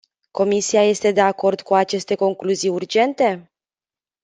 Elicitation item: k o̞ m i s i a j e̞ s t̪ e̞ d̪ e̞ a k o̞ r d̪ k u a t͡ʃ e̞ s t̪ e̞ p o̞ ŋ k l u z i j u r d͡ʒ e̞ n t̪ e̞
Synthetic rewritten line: k o̞ m i s i a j e̞ s t̪ e̞ d̪ e̞ a k o̞ r d̪ k u a t͡ʃ e̞ s t̪ e̞ k o̞ ŋ k l u z i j u r d͡ʒ e̞ n t̪ e̞